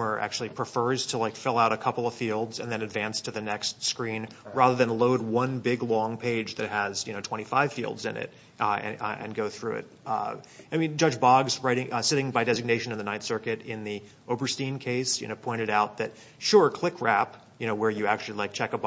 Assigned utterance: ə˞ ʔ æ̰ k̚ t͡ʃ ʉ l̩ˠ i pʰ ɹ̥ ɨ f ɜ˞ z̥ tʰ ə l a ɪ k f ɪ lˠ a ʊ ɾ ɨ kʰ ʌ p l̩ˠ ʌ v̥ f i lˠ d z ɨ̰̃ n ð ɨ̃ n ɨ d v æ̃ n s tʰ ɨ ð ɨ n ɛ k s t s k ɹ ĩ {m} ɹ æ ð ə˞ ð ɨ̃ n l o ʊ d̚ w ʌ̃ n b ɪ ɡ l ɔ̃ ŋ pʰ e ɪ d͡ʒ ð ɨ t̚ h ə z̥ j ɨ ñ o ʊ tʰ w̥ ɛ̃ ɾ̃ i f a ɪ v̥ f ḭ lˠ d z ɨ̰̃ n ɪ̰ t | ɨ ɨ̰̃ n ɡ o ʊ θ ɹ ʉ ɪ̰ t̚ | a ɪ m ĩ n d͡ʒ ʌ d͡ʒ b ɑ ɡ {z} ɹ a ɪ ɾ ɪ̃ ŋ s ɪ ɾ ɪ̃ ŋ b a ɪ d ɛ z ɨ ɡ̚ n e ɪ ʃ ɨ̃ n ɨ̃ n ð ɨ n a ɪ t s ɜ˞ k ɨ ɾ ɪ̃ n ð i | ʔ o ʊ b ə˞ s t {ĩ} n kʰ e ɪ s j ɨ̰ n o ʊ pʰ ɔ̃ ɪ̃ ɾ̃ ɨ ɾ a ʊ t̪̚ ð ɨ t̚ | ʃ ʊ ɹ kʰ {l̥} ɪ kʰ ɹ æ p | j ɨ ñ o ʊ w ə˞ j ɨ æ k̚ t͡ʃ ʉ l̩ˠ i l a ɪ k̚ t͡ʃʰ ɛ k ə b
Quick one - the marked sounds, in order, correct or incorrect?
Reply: incorrect, correct, correct, correct

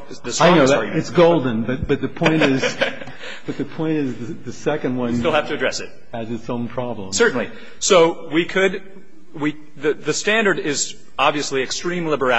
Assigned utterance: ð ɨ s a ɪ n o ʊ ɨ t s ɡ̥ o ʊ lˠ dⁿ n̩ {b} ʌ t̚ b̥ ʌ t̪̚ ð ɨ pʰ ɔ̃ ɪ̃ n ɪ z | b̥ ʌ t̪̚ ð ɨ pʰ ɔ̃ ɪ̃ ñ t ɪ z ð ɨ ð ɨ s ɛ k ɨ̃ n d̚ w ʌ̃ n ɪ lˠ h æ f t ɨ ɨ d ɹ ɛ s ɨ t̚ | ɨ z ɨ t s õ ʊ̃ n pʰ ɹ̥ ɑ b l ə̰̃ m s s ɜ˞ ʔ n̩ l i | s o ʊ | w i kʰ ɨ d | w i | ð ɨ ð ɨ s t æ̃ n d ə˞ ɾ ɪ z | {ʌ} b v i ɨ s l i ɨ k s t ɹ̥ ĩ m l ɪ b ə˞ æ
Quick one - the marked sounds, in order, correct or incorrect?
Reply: correct, incorrect

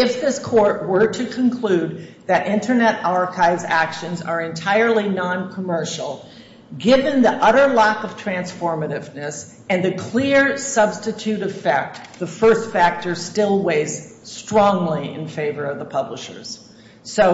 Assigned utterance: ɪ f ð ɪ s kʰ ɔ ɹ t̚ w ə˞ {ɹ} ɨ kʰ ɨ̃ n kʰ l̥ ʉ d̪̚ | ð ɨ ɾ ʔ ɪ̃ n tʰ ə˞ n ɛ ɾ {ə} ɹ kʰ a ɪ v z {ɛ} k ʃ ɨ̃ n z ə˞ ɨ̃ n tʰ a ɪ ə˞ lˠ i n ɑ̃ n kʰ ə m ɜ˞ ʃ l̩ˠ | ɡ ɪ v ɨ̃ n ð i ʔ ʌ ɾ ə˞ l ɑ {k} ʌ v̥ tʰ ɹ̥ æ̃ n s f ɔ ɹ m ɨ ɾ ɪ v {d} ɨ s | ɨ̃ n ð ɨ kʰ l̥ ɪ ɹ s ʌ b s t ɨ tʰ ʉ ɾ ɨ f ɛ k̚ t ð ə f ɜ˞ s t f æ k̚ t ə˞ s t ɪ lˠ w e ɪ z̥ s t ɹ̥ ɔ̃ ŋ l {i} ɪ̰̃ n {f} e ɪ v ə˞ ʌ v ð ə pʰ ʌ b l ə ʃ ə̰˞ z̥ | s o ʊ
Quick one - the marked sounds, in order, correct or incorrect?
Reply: incorrect, incorrect, incorrect, correct, incorrect, correct, correct

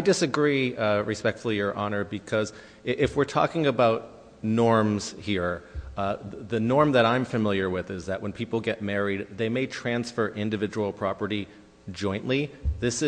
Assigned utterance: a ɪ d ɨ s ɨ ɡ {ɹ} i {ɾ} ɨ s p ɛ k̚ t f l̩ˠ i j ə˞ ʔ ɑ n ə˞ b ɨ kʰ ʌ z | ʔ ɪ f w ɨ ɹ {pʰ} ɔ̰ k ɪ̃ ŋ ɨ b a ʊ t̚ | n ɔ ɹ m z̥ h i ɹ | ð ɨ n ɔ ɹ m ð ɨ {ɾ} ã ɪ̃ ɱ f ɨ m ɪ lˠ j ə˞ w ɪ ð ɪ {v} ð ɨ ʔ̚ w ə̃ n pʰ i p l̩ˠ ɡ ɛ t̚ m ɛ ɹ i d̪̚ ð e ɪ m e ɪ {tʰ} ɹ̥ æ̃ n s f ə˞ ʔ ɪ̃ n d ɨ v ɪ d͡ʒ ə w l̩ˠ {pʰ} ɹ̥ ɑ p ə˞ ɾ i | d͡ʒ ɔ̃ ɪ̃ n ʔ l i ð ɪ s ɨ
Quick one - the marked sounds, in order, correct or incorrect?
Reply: correct, incorrect, incorrect, correct, incorrect, correct, correct

